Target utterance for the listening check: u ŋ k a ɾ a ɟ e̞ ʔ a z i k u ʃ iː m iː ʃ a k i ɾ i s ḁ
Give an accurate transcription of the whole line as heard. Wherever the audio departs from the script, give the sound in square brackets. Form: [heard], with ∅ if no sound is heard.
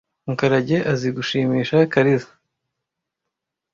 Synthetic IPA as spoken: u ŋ k a ɾ a ɟ e̞ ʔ a z i [ɡ] u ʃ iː m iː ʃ a k [a] ɾ i [z] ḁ